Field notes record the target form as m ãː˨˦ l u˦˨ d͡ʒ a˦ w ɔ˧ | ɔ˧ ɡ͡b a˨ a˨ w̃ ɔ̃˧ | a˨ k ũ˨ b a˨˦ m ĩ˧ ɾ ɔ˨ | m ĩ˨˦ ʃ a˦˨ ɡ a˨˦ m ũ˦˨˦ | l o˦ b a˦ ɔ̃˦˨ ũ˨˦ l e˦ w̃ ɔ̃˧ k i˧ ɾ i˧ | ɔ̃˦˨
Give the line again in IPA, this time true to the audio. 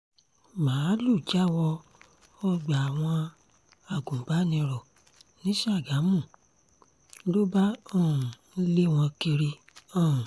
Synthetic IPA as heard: m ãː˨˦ l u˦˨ d͡ʒ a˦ w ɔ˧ | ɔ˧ ɡ͡b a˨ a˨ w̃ ɔ̃˧ | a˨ ɡ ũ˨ b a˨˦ n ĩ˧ ɾ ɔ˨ | n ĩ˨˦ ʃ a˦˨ ɡ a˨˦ m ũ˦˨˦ | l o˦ b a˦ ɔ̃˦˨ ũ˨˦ l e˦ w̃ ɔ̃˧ k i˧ ɾ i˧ | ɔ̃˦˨

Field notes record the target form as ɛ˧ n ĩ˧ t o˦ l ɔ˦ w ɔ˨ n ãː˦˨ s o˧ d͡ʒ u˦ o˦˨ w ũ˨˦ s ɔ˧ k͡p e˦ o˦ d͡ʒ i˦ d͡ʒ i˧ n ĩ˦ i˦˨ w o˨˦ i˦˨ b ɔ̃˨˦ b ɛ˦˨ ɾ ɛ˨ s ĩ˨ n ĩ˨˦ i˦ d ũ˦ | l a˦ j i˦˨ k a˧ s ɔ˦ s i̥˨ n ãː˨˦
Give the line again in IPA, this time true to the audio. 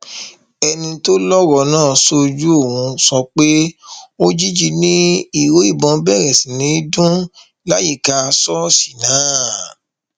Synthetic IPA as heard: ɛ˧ n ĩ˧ t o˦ l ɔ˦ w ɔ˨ n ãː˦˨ s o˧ d͡ʒ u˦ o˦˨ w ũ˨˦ s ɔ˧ k͡p e˦ o˦ d͡ʒ i˦ d͡ʒ i˧ n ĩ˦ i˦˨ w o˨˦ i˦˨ b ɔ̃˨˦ b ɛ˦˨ ɾ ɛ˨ s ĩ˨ n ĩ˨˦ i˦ d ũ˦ | l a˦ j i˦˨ k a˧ s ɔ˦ s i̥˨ n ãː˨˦

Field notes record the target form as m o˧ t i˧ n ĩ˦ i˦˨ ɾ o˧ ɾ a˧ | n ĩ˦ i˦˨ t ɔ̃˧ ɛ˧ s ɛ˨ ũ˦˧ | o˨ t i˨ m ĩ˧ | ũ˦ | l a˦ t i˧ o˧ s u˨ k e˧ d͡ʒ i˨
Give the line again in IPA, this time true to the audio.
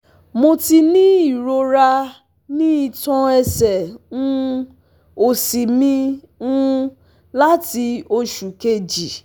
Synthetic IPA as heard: m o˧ t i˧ n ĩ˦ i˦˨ ɾ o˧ ɾ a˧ | n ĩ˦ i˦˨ t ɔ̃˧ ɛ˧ s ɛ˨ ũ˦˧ | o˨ s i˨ m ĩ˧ | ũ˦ | l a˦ t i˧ o˧ ʃ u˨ k e˧ d͡ʒ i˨

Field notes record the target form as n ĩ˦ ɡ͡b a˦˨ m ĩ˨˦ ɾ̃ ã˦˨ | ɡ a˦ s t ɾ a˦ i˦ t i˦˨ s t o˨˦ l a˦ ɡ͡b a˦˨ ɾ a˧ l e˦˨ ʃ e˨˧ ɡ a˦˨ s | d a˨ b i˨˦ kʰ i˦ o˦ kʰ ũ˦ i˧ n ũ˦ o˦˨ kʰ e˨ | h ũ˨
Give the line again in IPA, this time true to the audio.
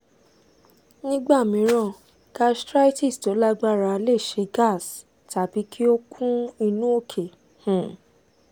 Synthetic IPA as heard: n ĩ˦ ɡ͡b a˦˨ m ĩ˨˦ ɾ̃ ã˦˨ | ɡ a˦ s t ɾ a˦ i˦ t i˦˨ s t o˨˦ l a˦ ɡ͡b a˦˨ ɾ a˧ l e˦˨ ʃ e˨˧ ɡ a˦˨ s | t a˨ b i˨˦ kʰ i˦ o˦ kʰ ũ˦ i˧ n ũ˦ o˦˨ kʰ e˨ | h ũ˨

